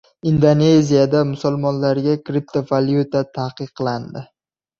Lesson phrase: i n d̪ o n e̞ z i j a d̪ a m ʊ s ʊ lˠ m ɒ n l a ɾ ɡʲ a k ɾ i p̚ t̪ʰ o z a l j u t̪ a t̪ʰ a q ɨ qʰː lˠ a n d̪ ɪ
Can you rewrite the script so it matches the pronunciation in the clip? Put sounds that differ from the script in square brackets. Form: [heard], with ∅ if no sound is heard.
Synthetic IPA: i n d̪ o n e̞ z i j a d̪ a m ʊ s ʊ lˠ m ɒ n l a ɾ ɡʲ a k ɾ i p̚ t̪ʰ o [v] a l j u t̪ a t̪ʰ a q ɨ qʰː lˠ a n d̪ ɪ